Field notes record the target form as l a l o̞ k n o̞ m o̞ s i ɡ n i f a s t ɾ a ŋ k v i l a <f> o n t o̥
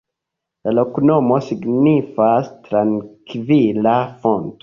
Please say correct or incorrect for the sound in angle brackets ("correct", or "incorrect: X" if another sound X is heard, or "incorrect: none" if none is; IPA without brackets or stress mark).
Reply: correct